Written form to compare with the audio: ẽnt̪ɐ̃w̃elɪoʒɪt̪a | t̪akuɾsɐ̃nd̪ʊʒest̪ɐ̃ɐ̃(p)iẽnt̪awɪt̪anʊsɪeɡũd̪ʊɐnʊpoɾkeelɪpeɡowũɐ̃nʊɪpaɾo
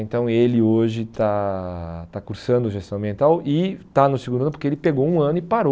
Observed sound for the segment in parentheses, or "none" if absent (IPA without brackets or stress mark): b